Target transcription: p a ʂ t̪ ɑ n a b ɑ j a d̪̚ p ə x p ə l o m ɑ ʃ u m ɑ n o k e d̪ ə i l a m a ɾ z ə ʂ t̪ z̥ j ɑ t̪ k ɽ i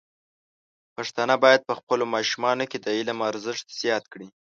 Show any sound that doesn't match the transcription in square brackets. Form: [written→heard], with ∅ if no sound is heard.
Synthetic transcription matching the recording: p a ʂ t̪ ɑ n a b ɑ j a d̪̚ p ə x p ə l o m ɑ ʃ u m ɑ n o k e d̪ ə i l a m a ɾ z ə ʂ t̪ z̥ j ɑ t̪ k ɽ i